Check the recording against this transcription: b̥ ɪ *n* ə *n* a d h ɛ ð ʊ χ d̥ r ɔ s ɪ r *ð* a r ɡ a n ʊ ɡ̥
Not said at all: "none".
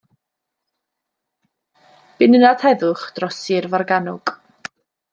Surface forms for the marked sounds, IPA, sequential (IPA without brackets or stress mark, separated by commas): n, n, v